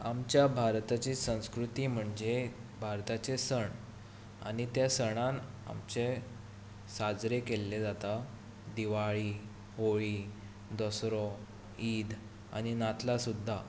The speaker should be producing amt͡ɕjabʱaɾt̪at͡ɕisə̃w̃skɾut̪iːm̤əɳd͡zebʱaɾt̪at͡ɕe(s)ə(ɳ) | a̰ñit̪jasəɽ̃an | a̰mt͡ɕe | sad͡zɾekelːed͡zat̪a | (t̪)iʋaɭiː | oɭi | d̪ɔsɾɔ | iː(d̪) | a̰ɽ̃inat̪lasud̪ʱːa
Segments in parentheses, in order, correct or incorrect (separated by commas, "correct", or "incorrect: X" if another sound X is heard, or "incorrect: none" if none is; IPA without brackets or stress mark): correct, correct, incorrect: d̪, correct